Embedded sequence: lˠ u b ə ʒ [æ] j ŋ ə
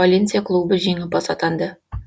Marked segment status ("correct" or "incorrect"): incorrect